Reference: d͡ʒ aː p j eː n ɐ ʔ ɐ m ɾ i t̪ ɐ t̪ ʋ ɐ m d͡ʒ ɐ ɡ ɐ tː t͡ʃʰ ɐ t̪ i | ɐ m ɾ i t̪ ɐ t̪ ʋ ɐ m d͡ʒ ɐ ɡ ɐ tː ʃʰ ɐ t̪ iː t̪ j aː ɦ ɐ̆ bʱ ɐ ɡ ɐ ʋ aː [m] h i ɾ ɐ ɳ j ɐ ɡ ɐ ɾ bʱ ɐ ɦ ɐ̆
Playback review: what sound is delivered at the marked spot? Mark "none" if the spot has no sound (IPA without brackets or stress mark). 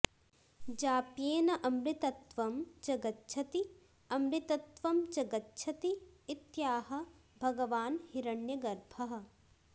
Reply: n